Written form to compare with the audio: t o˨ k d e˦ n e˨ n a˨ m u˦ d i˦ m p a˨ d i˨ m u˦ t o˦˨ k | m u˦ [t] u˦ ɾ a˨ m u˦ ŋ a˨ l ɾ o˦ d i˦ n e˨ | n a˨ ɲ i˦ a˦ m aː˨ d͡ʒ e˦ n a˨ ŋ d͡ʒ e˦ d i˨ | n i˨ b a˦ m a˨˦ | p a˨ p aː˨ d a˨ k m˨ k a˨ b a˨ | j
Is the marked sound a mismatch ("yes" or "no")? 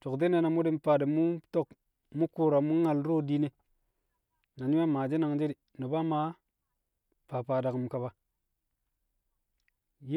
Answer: yes